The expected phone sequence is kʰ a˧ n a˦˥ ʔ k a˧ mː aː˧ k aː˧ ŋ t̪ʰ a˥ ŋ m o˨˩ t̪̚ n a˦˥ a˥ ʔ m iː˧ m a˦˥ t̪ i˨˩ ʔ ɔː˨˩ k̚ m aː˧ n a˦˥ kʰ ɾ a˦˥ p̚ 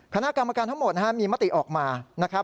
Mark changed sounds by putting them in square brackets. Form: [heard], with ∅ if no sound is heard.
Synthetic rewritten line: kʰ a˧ n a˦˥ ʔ k a˧ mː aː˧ k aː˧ [n] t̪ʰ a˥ ŋ m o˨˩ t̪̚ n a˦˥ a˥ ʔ m iː˧ m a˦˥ t̪ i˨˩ ʔ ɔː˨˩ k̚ m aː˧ n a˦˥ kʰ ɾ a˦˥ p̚